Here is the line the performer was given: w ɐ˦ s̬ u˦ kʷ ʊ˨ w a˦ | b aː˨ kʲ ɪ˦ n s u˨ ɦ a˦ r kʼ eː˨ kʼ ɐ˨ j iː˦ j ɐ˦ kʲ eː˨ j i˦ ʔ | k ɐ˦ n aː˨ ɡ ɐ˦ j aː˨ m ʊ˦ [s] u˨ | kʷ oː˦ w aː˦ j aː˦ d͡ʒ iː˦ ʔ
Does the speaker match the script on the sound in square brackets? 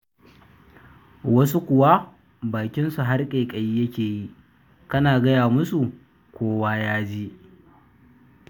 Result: yes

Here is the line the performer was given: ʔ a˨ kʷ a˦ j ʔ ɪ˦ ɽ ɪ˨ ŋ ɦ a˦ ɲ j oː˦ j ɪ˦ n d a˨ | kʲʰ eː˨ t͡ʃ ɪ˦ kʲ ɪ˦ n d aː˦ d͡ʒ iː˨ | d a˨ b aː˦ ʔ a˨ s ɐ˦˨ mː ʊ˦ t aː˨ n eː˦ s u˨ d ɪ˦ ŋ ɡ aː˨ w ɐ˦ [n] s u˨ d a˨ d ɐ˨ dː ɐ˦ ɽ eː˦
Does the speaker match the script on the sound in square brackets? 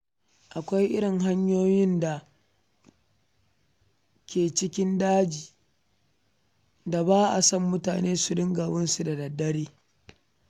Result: yes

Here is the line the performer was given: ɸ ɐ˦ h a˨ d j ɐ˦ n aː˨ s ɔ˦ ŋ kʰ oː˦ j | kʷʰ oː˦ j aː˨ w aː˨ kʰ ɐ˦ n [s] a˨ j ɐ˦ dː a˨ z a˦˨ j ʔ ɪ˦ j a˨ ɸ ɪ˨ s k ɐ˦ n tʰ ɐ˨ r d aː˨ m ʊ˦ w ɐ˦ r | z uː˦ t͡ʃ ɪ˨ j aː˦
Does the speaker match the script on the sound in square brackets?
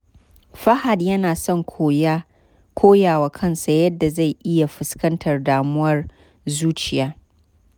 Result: yes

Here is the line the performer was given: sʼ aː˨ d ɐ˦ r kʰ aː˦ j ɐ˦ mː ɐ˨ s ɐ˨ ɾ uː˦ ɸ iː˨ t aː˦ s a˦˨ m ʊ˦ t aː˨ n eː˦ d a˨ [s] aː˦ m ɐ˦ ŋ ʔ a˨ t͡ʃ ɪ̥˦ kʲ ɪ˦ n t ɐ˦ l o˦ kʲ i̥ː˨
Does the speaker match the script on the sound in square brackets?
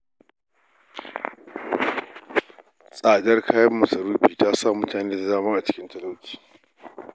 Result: no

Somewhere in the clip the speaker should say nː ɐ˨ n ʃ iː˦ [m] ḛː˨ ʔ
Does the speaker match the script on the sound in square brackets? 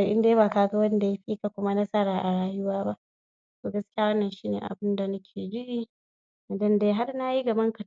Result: no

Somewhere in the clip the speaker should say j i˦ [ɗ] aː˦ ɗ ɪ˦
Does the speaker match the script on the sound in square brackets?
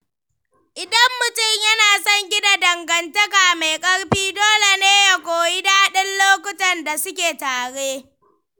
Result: no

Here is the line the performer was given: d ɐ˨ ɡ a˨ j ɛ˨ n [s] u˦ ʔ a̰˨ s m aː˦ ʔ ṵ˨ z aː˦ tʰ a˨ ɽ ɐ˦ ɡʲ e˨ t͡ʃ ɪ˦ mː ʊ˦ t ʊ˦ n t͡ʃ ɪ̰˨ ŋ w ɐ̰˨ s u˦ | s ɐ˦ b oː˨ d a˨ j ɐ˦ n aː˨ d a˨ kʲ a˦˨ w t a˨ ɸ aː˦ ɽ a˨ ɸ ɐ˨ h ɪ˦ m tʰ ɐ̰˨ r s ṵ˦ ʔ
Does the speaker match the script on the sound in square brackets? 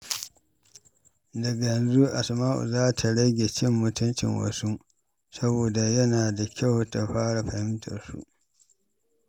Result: no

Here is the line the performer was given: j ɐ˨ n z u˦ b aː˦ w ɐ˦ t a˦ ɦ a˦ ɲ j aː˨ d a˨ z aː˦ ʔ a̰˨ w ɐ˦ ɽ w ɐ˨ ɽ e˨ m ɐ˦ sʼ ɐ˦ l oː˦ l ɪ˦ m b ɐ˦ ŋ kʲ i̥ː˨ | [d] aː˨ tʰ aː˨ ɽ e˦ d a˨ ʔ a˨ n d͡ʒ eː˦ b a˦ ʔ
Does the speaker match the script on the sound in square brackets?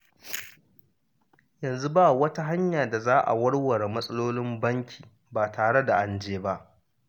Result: no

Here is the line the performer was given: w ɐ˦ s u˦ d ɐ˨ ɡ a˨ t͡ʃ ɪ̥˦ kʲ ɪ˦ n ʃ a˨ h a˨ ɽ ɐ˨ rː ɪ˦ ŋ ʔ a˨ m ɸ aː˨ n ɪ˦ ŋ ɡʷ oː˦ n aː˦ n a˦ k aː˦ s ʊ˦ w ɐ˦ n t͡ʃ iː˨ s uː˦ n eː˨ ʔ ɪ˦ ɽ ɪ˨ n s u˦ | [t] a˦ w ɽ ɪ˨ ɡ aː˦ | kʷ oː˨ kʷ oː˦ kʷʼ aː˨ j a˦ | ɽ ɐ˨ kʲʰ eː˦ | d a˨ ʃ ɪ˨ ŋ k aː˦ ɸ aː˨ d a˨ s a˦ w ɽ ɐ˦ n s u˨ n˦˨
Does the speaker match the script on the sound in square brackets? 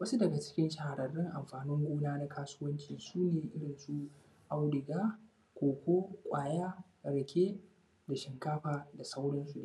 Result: no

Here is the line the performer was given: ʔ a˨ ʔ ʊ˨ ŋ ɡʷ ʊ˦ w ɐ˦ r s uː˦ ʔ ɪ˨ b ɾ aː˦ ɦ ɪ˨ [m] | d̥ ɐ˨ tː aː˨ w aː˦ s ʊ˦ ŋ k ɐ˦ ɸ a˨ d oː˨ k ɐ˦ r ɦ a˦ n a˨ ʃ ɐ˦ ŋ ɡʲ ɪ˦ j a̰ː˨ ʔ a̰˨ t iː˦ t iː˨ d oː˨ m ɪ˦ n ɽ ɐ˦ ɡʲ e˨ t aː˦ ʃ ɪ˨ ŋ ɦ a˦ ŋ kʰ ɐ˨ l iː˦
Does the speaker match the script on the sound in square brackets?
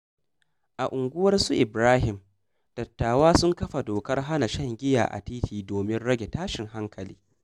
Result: yes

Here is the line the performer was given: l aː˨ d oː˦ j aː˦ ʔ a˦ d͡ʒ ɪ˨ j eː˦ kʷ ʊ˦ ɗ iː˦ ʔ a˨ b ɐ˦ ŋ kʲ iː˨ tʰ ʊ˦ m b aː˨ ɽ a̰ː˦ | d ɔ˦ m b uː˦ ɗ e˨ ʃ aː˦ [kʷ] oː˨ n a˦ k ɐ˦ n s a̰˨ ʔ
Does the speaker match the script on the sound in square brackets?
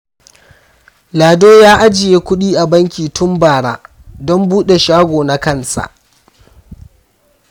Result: no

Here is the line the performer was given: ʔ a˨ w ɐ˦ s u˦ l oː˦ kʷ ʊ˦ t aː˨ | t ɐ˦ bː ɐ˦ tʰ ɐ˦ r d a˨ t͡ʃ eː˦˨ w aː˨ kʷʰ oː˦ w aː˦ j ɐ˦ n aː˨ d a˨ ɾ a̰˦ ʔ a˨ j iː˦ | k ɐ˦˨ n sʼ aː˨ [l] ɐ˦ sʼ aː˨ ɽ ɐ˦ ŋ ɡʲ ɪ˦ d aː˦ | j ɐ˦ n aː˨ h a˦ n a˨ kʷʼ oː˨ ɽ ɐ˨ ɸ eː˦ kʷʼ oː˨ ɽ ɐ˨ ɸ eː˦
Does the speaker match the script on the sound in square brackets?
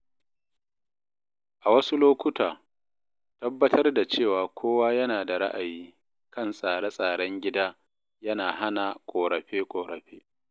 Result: no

